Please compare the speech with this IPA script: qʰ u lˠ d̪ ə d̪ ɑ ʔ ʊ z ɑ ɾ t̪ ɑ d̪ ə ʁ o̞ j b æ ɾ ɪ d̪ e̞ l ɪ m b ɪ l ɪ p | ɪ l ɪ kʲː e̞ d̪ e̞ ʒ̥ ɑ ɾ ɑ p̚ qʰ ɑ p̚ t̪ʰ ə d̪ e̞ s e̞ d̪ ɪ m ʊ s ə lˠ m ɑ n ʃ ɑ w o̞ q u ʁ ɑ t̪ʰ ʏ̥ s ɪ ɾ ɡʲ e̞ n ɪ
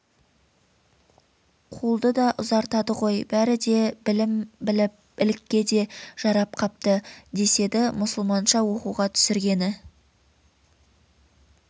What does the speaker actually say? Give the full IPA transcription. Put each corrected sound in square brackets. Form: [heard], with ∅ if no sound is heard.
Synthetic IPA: qʰ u lˠ d̪ ə d̪ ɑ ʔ ʊ z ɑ ɾ t̪ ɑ d̪ ə ʁ o̞ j b æ ɾ ɪ d̪ e̞ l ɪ m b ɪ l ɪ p | ɪ l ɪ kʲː e̞ d̪ e̞ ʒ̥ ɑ ɾ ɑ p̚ qʰ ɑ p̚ [t̪] ə d̪ e̞ s e̞ d̪ ɪ m ʊ s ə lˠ m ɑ n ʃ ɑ w o̞ q u ʁ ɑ t̪ʰ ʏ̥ s ɪ ɾ ɡʲ e̞ n ɪ